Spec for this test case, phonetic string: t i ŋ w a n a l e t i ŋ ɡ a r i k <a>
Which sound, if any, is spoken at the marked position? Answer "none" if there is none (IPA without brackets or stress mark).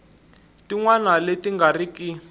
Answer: i